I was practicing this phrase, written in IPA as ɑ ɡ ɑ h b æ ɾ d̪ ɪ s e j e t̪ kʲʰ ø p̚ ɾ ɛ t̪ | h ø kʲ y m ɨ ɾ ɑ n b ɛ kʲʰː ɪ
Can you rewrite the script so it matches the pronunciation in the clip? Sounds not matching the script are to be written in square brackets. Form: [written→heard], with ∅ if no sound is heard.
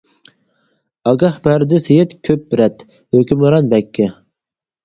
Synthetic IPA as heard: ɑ ɡ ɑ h b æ ɾ d̪ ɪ s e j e t̪ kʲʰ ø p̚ ɾ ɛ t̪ | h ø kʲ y m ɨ ɾ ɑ n b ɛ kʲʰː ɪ

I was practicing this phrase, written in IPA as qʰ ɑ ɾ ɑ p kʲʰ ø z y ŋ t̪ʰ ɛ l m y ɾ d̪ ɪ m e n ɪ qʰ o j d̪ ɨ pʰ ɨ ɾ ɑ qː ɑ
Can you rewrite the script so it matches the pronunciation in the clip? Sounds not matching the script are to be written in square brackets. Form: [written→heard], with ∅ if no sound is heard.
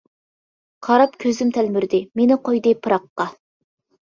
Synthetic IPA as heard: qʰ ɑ ɾ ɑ p kʲʰ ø z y [ŋ→m] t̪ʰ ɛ l m y ɾ d̪ ɪ m e n ɪ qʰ o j d̪ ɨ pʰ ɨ ɾ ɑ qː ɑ

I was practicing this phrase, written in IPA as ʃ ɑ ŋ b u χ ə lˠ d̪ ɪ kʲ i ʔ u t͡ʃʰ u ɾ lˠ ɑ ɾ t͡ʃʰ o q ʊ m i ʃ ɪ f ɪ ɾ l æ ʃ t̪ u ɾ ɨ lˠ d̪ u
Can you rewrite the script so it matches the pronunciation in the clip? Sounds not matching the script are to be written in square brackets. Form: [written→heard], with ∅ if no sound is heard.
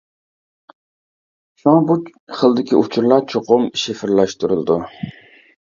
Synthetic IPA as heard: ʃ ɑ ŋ b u χ ə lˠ d̪ ɪ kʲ i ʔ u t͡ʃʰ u ɾ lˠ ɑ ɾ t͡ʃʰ o q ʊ m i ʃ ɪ f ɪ ɾ l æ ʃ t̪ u ɾ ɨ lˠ d̪ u

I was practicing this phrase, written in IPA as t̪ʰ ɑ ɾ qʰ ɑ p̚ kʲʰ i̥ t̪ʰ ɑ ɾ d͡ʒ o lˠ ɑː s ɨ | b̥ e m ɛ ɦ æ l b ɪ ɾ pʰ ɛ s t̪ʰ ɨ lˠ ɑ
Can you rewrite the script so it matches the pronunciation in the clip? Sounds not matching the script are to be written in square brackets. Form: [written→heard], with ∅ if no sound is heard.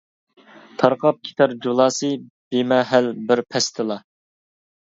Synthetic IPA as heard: t̪ʰ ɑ ɾ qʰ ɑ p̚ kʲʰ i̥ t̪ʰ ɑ ɾ d͡ʒ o lˠ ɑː s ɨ | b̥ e m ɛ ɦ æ l b ɪ ɾ pʰ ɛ s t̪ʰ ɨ lˠ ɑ

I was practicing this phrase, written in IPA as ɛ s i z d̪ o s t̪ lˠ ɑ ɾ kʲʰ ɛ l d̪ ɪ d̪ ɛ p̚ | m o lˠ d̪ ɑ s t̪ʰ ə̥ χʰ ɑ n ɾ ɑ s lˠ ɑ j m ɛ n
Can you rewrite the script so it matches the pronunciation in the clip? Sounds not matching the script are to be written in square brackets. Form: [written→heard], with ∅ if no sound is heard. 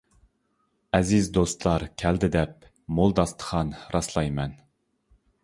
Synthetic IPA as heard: ɛ [s→z] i z d̪ o s t̪ lˠ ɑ ɾ kʲʰ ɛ l d̪ ɪ d̪ ɛ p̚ | m o lˠ d̪ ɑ s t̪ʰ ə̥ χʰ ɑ n ɾ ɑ s lˠ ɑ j m ɛ n

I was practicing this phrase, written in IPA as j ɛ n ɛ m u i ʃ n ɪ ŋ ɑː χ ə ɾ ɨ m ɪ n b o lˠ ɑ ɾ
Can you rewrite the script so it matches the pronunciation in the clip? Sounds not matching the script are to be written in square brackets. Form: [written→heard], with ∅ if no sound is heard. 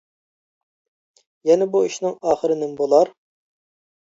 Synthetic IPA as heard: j ɛ n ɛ [m→b] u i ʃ n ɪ ŋ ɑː χ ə ɾ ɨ [m→n] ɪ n b o lˠ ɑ ɾ

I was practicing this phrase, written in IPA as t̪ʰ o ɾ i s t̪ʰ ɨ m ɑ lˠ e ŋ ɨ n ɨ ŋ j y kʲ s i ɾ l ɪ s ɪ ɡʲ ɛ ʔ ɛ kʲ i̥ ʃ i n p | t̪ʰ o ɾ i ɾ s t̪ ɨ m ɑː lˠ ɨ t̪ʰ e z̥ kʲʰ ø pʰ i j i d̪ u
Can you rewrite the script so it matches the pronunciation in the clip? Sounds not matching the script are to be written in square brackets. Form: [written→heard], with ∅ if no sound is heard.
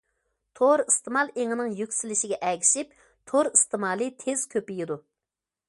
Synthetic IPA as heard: t̪ʰ o ɾ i s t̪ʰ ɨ m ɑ lˠ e ŋ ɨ n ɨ ŋ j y kʲ s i [ɾ→∅] l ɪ [s→ʃ] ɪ ɡʲ ɛ ʔ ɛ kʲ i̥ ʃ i [n→∅] p | t̪ʰ o ɾ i [ɾ→∅] s t̪ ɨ m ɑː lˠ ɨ t̪ʰ e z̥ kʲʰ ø [pʰ→p] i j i d̪ u

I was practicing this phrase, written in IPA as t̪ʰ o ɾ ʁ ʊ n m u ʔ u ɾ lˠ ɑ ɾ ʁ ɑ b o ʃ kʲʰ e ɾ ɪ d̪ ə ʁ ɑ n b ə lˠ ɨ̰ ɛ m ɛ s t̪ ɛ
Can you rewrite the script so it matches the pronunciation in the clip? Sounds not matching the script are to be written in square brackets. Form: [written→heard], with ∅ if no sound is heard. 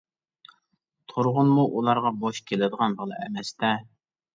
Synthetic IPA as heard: t̪ʰ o ɾ ʁ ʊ n m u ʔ u [ɾ→∅] lˠ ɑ ɾ ʁ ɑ b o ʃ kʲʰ e [ɾ→l] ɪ d̪ ə ʁ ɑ n b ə lˠ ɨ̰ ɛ m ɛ s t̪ ɛ

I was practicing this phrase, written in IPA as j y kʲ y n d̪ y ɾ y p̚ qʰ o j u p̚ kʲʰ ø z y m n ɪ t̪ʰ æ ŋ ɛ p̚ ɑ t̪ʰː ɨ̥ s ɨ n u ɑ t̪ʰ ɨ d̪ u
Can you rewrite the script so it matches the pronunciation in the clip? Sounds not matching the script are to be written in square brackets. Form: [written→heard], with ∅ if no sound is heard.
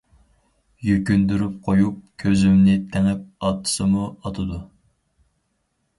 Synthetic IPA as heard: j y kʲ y n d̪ y ɾ y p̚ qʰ o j u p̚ kʲʰ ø z y m n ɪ t̪ʰ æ ŋ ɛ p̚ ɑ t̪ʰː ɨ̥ s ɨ [n→m] u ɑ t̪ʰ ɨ d̪ u

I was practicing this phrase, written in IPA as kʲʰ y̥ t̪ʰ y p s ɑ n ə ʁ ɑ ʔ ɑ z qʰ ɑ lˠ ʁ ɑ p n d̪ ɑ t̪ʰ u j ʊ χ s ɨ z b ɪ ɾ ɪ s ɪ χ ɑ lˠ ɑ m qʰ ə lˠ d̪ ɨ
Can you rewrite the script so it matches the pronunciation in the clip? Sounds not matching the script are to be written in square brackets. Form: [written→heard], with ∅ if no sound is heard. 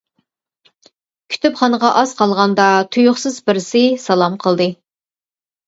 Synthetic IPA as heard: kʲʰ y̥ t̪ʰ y p [s→χ] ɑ n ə ʁ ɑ ʔ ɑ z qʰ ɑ lˠ ʁ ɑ [p→∅] n d̪ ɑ t̪ʰ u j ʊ χ s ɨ z b ɪ ɾ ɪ s ɪ [χ→s] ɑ lˠ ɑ m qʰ ə lˠ d̪ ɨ

